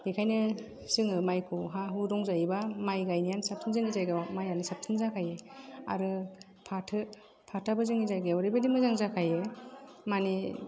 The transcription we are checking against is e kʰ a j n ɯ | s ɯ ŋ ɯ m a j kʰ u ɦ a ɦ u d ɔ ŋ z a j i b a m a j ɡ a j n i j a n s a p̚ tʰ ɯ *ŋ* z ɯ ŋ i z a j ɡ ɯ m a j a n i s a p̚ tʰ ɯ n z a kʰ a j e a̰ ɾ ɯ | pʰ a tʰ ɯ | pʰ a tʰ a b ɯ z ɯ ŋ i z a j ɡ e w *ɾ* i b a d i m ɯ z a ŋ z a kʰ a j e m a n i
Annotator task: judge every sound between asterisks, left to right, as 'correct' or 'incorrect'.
incorrect: n, correct

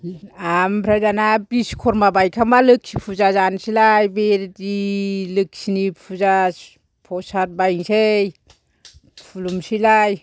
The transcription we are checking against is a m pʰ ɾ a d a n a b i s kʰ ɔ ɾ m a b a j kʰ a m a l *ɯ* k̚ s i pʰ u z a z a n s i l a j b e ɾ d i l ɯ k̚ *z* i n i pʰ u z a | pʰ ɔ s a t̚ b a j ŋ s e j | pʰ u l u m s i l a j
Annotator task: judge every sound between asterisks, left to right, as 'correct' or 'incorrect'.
correct, incorrect: s

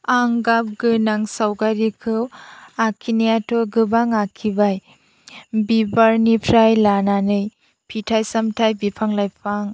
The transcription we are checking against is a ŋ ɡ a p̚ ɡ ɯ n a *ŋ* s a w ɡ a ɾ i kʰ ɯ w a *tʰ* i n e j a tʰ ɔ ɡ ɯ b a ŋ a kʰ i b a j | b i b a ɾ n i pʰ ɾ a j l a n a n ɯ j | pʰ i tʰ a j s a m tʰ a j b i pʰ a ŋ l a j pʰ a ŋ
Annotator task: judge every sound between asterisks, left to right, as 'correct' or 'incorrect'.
correct, incorrect: kʰ

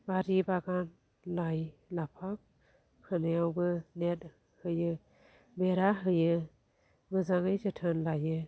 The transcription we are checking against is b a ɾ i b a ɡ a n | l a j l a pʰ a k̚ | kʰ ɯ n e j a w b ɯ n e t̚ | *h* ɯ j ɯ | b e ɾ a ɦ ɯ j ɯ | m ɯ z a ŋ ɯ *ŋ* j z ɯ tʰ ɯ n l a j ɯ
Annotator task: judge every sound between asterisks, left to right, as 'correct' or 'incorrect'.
correct, incorrect: none

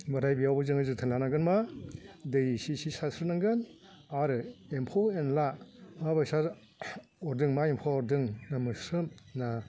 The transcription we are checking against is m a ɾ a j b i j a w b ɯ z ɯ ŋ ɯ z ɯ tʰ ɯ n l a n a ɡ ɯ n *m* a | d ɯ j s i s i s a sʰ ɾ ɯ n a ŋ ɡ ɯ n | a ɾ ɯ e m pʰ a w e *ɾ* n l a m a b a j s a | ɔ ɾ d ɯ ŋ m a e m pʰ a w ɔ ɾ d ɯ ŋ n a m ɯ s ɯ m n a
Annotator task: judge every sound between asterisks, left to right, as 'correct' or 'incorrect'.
correct, incorrect: none

